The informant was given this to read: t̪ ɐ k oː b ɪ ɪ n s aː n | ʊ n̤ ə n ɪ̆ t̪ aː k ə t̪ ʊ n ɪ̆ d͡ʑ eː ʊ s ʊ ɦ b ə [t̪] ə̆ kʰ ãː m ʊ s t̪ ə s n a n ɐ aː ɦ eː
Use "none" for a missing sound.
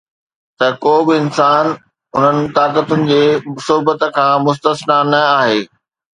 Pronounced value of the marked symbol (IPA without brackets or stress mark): t̪